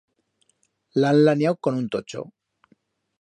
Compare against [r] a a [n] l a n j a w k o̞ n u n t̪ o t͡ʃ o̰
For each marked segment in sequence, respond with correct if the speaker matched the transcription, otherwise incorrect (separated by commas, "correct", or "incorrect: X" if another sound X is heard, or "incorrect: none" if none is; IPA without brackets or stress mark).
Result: incorrect: l, correct